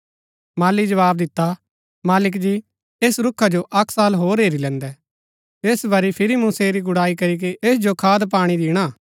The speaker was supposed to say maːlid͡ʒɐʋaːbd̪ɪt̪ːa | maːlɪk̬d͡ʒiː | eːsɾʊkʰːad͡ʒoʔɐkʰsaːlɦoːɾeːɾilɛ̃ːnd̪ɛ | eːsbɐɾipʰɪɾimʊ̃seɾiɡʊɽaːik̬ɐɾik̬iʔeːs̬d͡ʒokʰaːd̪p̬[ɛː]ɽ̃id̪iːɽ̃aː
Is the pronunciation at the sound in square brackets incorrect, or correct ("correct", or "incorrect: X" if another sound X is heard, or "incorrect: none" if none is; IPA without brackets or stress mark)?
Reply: incorrect: aː